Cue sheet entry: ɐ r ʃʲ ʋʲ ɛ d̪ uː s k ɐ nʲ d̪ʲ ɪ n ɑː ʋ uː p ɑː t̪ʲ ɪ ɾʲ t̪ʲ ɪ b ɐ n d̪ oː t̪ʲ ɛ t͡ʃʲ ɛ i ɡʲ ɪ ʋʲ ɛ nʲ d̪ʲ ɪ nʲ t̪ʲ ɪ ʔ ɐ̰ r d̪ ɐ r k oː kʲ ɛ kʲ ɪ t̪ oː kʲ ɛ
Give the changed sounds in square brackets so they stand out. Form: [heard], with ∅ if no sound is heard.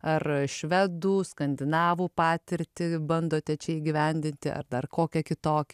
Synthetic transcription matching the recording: ɐ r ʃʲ ʋʲ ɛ d̪ uː s k ɐ nʲ d̪ʲ ɪ n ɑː ʋ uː p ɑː t̪ʲ ɪ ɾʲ t̪ʲ ɪ b ɐ n d̪ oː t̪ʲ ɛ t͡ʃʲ ɛ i ɡʲ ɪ ʋʲ ɛ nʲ d̪ʲ ɪ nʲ t̪ʲ ɪ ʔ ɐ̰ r d̪ ɐ r k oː kʲ ɛ kʲ ɪ t̪ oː kʲ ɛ